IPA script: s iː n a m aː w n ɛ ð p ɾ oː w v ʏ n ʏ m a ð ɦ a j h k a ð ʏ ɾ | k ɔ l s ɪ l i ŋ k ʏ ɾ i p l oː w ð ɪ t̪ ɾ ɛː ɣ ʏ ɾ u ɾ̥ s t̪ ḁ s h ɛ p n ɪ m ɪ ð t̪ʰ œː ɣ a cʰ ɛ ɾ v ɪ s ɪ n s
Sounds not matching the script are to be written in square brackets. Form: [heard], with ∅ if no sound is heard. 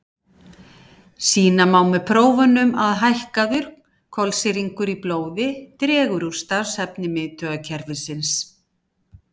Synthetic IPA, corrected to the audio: s iː n a m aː w [m] ɛ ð [pʰ] ɾ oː w v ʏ n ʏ m a ð ɦ a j h k a ð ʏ ɾ | [kʰ] ɔ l s ɪ [ɾ] i ŋ k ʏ ɾ i p l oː w ð ɪ t̪ ɾ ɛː ɣ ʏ ɾ u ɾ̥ s t̪ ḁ s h ɛ p n ɪ m ɪ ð t̪ʰ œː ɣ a cʰ ɛ ɾ v ɪ s ɪ n s